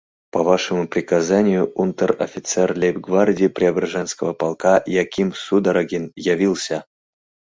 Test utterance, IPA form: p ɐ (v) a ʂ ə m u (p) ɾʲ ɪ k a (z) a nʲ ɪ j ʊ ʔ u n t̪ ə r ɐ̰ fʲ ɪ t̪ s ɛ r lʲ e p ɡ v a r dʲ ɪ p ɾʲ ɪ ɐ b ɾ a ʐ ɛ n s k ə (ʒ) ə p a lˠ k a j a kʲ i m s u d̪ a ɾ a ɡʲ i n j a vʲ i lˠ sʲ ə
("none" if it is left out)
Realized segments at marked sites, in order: v, p, z, v

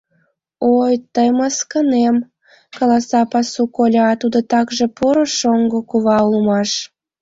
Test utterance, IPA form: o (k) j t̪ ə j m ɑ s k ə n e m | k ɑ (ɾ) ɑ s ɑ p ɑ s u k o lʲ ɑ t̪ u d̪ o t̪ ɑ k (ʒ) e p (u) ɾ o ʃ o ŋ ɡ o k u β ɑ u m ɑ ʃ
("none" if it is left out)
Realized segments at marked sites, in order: none, l, ʒ, o

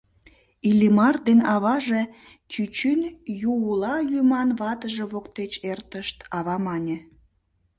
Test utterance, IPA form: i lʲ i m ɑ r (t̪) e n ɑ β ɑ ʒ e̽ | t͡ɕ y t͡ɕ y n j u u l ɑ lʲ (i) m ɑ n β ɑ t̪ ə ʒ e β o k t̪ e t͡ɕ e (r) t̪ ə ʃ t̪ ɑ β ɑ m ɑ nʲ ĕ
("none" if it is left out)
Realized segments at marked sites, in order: d̪, y, r

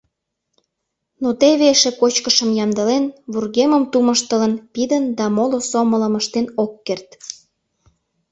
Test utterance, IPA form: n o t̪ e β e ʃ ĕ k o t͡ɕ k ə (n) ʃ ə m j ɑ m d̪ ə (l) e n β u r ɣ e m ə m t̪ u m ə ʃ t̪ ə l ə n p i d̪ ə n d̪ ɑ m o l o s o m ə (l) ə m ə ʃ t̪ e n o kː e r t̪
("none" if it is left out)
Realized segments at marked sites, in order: none, l, l

